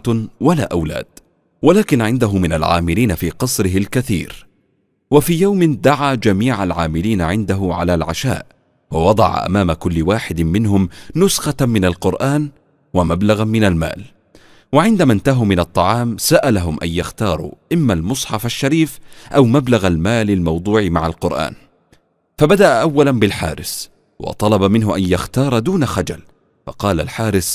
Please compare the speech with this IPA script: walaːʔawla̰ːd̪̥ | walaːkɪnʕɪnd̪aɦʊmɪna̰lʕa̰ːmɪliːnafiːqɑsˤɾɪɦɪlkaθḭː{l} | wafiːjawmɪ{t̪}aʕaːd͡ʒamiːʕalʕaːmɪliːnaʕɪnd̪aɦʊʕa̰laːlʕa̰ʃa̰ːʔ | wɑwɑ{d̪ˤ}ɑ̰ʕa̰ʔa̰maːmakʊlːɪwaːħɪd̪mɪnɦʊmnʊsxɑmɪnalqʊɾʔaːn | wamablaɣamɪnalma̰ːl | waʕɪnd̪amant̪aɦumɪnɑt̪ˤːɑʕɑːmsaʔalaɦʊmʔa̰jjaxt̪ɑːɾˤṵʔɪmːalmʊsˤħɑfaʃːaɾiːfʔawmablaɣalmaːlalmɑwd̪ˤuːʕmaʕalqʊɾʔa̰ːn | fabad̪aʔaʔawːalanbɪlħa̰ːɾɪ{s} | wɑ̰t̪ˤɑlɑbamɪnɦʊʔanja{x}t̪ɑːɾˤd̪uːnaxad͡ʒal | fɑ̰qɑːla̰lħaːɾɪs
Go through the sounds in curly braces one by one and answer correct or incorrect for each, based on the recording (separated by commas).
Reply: incorrect, incorrect, correct, correct, correct